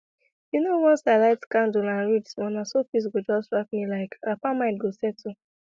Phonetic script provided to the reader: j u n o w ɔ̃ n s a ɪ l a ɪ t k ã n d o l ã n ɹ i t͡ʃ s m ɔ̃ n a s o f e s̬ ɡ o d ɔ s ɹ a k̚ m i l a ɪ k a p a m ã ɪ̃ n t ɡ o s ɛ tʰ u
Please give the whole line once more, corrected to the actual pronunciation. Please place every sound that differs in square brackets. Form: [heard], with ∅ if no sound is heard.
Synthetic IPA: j u n o w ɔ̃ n s a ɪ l a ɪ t k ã n d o l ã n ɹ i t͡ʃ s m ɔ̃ n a s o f [i] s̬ ɡ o [d͡ʒ] ɔ s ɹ a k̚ m i l a ɪ k a p a m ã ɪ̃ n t ɡ o s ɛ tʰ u